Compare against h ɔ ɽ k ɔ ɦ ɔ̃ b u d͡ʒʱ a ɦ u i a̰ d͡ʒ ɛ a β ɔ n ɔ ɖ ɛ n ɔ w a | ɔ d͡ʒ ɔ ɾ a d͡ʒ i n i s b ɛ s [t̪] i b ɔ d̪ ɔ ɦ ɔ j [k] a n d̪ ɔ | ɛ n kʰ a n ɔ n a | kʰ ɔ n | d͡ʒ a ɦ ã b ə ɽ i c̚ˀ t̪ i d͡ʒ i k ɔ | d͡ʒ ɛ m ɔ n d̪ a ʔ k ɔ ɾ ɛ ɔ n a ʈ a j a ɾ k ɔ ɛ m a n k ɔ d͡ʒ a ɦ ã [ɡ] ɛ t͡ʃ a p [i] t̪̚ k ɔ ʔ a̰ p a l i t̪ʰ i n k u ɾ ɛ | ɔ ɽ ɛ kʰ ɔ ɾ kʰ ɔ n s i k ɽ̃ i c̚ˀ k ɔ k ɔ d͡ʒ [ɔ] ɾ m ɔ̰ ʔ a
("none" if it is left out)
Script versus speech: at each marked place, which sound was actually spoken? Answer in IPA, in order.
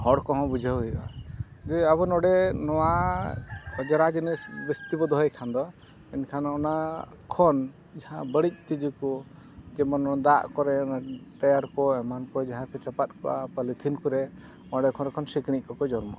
t̪, kʰ, k, a, ɔ

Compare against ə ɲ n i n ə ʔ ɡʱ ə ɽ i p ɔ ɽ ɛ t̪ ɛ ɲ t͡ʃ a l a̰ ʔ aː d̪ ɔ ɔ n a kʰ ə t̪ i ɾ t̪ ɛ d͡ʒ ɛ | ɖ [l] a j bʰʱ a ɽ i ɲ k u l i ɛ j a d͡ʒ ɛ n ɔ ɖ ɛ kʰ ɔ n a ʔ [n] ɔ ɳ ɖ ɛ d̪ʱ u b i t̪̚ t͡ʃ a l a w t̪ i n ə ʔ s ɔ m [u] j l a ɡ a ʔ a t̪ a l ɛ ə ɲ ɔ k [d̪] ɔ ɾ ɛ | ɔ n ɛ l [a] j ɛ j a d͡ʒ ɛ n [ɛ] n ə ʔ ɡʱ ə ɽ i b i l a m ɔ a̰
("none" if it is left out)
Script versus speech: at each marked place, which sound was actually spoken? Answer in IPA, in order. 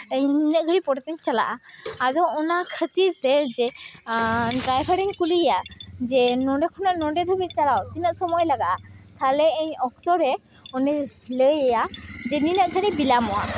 ɾ, n, ɔ, t̪, ə, i

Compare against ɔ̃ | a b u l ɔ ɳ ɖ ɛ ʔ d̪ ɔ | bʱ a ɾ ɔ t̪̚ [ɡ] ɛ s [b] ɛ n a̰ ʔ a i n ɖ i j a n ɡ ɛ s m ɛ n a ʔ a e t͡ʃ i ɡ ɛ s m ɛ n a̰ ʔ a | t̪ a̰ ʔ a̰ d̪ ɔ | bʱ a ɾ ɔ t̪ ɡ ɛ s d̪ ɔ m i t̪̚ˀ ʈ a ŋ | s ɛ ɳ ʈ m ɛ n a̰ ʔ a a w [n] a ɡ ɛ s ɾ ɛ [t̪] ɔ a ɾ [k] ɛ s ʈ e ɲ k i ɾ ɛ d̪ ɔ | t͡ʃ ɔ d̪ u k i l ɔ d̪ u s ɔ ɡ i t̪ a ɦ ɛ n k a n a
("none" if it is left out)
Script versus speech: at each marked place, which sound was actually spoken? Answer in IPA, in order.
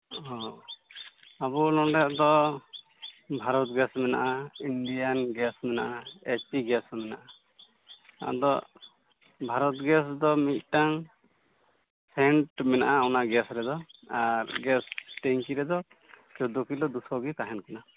ɡ, m, n, d̪, ɡ

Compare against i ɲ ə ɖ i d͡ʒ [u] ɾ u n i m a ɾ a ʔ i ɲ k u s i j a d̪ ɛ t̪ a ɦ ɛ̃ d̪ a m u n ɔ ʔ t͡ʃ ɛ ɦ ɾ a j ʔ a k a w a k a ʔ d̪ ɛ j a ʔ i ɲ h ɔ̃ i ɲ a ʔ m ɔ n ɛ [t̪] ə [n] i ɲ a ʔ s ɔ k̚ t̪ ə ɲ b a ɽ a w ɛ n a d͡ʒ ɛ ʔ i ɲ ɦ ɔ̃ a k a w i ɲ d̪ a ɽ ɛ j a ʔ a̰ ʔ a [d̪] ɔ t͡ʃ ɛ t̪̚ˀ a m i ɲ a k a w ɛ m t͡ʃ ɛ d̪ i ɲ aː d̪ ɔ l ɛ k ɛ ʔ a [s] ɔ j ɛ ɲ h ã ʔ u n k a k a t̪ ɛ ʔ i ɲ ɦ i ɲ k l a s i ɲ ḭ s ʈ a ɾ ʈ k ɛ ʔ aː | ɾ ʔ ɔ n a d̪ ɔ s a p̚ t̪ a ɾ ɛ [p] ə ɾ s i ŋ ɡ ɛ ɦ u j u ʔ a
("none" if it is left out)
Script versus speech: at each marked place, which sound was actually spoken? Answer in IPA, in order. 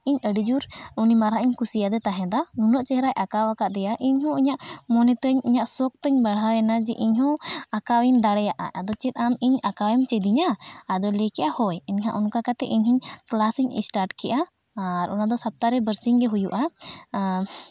u, t̪, ɲ, d̪, h, b

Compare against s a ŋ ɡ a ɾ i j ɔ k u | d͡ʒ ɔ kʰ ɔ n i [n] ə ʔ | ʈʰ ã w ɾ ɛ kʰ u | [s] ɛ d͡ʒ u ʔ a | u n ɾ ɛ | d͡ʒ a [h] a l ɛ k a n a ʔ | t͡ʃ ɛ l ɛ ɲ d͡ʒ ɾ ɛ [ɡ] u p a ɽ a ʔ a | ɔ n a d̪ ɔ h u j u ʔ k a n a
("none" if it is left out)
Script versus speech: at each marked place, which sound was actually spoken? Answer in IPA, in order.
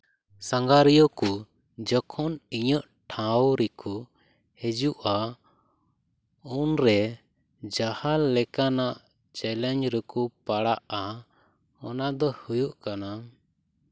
ɲ, h, h, k

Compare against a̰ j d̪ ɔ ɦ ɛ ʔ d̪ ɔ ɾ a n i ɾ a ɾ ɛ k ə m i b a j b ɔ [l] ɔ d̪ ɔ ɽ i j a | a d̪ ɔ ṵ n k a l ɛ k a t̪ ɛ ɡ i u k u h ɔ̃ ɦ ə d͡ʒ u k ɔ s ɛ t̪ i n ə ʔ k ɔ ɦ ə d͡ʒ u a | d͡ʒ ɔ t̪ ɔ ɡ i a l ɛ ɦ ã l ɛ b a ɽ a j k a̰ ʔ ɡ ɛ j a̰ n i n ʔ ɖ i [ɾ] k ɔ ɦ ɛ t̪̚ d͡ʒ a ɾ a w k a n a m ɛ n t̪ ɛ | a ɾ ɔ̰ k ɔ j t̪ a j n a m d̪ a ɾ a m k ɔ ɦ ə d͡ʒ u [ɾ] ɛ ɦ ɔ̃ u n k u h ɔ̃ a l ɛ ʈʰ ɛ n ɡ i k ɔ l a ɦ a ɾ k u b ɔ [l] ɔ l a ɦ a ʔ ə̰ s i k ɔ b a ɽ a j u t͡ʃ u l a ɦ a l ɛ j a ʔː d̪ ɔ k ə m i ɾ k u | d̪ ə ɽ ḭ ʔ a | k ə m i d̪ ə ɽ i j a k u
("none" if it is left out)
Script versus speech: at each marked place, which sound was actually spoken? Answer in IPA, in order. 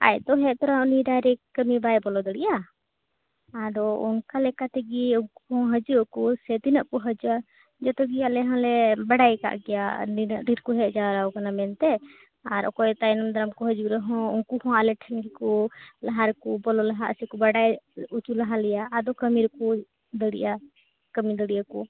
l, ɾ, ɾ, l

